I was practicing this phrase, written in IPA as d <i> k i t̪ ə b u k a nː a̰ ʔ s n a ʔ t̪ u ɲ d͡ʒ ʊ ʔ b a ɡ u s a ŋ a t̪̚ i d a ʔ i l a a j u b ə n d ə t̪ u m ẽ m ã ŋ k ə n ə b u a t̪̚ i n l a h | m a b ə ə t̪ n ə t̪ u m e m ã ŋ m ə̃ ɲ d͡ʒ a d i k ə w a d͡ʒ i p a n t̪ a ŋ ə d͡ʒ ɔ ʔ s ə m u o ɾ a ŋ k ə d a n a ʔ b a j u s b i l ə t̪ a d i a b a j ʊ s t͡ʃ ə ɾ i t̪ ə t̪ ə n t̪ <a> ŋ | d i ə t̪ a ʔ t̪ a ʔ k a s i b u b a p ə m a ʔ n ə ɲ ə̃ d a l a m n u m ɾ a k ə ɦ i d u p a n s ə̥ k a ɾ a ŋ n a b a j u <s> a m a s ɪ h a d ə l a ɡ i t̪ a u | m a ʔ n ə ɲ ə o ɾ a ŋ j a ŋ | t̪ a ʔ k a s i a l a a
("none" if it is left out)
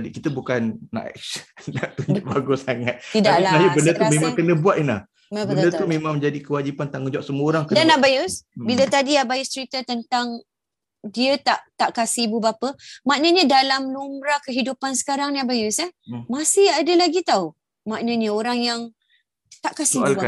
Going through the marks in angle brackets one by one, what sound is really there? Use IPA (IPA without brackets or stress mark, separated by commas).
i, a, s